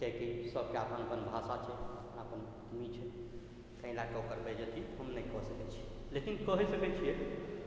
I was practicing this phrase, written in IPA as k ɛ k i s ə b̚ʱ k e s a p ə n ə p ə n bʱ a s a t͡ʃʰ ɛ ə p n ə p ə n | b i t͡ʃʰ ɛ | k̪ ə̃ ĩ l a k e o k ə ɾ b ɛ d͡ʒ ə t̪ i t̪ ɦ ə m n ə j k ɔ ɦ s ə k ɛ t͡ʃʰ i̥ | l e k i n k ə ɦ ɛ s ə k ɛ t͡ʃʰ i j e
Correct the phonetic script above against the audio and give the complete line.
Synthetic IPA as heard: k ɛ k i s ə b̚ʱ k e a p ə n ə p ə n bʱ a s a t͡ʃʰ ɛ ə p n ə p ə n | m i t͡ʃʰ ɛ | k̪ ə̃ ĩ l a k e o k ə ɾ b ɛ d͡ʒ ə t̪ i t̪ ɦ ə m n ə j k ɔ ɦ s ə k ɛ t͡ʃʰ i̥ | l e k i n k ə ɦ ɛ s ə k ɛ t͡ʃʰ i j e